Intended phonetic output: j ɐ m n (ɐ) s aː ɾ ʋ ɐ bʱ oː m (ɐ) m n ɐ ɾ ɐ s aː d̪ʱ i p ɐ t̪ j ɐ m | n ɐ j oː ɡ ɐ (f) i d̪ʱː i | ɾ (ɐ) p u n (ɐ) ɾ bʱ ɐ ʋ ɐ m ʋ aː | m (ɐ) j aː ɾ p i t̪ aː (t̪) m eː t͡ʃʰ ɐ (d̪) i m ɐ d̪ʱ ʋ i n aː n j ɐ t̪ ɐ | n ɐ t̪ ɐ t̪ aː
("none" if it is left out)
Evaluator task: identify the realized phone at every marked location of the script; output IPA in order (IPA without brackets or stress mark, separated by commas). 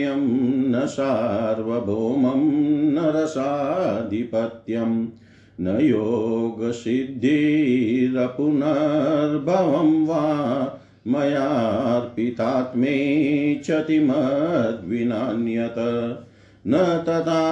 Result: ɐ, ɐ, s, ɐ, ɐ, ɐ, t̪, t̪